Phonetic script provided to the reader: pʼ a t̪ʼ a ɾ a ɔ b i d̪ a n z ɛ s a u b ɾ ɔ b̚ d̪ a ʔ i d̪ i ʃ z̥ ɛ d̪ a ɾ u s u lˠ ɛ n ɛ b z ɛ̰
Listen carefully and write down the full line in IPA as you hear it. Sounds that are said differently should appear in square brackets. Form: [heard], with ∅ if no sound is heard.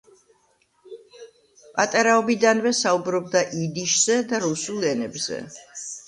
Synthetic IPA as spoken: pʼ a t̪ʼ a ɾ a ɔ b i d̪ a n [v] ɛ s a u b ɾ ɔ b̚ d̪ a ʔ i d̪ i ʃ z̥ ɛ d̪ a ɾ u s u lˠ ɛ n ɛ b z ɛ̰